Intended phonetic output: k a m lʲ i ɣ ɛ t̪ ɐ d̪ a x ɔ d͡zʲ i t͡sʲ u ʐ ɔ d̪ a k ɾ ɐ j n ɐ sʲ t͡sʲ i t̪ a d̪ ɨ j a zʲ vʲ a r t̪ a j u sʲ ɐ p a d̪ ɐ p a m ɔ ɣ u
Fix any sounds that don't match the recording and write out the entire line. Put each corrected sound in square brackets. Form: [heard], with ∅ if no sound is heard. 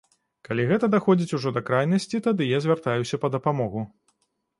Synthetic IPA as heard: k a [∅] lʲ i ɣ ɛ t̪ ɐ d̪ a x ɔ d͡zʲ i t͡sʲ u ʐ ɔ d̪ [ɐ] k ɾ [a] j n ɐ sʲ t͡sʲ i t̪ a d̪ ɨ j a zʲ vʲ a r t̪ a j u sʲ ɐ p [ɐ] d̪ ɐ p a m ɔ ɣ u